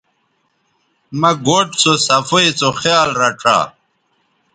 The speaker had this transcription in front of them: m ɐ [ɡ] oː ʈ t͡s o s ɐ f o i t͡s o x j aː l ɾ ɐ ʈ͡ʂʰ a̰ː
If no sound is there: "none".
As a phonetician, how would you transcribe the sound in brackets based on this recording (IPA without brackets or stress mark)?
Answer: ɡ